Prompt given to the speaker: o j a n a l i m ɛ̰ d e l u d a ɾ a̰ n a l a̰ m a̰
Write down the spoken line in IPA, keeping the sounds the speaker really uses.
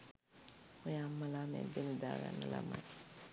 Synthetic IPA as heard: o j a m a l a m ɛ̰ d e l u d a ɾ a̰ n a l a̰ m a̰